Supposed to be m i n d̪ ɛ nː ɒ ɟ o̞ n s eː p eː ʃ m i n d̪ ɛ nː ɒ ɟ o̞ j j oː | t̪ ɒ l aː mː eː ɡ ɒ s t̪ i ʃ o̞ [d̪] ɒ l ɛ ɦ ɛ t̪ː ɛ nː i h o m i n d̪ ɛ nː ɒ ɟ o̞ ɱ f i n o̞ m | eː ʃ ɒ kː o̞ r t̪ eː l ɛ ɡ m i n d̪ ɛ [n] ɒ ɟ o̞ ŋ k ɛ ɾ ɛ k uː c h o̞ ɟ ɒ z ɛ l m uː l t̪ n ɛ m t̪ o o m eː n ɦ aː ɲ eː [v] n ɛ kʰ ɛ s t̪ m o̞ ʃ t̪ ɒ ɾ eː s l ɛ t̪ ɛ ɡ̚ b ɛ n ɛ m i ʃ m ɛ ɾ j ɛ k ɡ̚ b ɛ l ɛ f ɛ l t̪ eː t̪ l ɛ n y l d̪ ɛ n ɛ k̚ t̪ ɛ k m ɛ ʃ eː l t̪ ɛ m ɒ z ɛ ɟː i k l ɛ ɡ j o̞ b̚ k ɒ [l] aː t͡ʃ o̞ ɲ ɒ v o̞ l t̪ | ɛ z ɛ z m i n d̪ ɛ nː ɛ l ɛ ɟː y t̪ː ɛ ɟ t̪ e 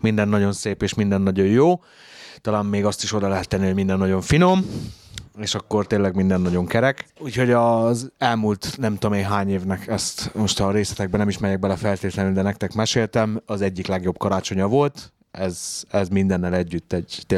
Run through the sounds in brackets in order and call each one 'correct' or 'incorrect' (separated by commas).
correct, incorrect, correct, incorrect